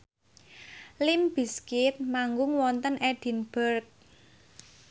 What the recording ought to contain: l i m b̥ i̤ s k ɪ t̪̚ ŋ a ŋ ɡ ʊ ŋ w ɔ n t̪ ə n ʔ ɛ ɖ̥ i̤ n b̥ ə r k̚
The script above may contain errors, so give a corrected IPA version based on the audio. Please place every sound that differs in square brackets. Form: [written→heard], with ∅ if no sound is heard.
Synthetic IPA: l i m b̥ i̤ s k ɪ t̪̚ [ŋ→m] a ŋ ɡ ʊ ŋ w ɔ n t̪ ə n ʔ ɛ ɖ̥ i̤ n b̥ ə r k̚